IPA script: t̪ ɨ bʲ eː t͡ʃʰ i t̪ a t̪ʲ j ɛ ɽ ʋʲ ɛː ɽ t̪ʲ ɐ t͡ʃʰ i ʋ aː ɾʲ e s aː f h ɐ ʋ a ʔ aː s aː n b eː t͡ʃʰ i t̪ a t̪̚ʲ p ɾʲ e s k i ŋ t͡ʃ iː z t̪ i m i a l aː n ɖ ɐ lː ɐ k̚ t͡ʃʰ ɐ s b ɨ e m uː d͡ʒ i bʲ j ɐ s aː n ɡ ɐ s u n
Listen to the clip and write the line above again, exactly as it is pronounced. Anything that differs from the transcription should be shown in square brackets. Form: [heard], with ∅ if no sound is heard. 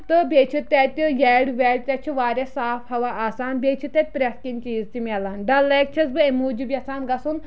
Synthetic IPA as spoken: t̪ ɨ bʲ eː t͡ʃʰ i t̪ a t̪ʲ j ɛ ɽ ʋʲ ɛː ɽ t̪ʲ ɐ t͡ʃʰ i ʋ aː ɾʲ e s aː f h ɐ ʋ a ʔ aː s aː n b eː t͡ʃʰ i t̪ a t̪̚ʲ p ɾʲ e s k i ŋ t͡ʃ iː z t̪ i m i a l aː n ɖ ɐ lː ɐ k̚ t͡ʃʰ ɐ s b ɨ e m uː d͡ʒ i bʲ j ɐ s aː n ɡ ɐ s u n

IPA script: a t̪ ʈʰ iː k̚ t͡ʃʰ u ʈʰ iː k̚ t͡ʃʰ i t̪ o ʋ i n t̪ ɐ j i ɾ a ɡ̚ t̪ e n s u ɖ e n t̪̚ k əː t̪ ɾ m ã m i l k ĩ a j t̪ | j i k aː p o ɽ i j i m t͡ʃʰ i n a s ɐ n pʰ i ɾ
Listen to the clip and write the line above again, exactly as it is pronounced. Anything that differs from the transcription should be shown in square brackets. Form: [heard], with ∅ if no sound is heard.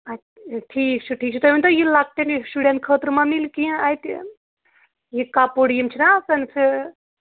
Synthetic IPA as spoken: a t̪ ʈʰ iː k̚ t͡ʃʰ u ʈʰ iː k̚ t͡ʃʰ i t̪ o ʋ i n t̪ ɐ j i [l] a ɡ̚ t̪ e n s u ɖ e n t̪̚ [kʰ] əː t̪ ɾ m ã m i l k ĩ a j t̪ | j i k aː p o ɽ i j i m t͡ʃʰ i n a s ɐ n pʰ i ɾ

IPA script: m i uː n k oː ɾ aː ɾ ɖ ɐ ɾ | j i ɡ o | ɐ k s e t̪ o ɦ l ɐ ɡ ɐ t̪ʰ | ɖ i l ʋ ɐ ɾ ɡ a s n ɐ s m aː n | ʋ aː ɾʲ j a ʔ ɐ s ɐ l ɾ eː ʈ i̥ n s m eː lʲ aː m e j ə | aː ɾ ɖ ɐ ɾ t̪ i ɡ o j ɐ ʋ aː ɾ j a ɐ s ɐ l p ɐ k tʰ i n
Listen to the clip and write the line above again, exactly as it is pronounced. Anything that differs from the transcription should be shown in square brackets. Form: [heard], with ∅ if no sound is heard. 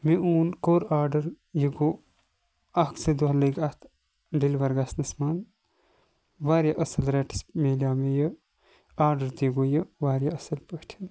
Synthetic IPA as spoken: m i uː n k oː ɾ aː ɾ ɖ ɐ ɾ | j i ɡ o | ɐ k s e [d̪] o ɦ l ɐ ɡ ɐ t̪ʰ | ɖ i l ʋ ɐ ɾ ɡ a s n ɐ s m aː n | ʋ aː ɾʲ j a ʔ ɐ s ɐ l ɾ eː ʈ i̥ [∅] s m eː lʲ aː m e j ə | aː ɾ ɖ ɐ ɾ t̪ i ɡ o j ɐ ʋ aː ɾ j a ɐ s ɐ l p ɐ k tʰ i n

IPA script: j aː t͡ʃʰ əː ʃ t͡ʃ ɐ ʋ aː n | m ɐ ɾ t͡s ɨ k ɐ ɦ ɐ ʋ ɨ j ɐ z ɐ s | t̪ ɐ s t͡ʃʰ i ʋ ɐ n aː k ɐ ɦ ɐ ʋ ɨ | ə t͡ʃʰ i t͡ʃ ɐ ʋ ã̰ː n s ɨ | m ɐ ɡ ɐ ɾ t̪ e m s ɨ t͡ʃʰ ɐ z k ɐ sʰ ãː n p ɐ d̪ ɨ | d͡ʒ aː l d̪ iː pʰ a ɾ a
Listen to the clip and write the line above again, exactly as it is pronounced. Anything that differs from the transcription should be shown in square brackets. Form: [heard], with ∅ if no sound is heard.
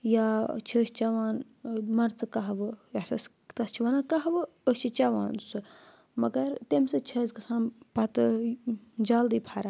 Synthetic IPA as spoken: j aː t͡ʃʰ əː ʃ t͡ʃ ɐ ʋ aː n | m ɐ ɾ t͡s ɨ k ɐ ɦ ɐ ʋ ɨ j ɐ [s] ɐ s | t̪ ɐ s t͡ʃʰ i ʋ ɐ n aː k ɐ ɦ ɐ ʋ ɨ | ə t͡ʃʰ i t͡ʃ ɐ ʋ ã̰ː n s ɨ | m ɐ ɡ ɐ ɾ t̪ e m s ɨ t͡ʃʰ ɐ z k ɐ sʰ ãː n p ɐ [t̪] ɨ | d͡ʒ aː l d̪ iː pʰ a ɾ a

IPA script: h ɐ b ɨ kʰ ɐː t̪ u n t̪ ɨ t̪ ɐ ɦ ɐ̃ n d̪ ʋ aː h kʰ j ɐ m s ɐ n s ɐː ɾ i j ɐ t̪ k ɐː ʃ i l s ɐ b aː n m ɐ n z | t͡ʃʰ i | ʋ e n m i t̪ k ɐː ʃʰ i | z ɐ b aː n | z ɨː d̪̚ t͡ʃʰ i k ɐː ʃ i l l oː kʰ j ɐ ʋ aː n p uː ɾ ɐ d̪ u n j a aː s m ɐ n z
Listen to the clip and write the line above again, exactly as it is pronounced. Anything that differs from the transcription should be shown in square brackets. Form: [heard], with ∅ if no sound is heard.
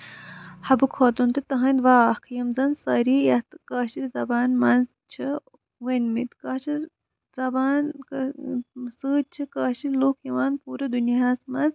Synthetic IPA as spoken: h ɐ b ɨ kʰ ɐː t̪ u n t̪ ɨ t̪ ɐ ɦ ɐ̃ n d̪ ʋ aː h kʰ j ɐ m [z] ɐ n s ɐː ɾ i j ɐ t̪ k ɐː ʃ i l [z] ɐ b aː n m ɐ n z | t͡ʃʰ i | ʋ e n m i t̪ k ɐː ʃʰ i | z ɐ b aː n | [s] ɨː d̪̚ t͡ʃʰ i k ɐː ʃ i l l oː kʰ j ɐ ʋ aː n p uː ɾ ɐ d̪ u n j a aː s m ɐ n z

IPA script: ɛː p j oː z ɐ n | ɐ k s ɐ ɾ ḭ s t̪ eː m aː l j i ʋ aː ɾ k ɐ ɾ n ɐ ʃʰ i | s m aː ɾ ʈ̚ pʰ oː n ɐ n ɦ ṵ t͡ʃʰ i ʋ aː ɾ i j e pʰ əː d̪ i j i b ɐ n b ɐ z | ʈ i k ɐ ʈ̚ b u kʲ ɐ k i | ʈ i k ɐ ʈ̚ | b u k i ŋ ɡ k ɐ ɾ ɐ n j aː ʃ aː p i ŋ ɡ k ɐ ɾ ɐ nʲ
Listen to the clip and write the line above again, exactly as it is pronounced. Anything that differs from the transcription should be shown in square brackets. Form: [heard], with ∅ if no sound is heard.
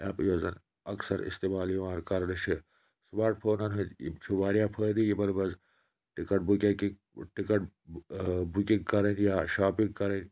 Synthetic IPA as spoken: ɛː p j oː z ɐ n | ɐ k s ɐ ɾ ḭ s t̪ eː m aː l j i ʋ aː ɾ k ɐ ɾ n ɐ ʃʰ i | s m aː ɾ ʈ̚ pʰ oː n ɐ n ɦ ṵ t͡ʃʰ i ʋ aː ɾ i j [a] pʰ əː d̪ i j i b ɐ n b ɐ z | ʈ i k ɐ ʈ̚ b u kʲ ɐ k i | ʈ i k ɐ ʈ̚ | b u k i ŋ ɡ k ɐ ɾ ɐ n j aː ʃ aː p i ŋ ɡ k ɐ ɾ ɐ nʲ

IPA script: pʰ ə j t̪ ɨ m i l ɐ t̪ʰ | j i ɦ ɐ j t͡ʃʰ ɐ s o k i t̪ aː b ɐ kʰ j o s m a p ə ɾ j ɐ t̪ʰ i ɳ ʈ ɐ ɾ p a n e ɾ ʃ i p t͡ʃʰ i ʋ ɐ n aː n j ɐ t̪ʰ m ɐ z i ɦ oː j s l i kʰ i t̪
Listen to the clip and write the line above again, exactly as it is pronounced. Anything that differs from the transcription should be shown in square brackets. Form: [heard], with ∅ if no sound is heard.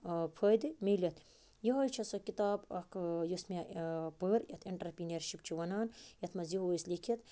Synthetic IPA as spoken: pʰ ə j [d̪] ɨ m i l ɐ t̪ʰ | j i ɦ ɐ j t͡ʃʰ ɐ s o k i t̪ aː b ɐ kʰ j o s m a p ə ɾ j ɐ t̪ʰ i ɳ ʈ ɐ ɾ p [i] n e ɾ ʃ i p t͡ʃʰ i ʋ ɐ n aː n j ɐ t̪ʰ m ɐ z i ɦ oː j s l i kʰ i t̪

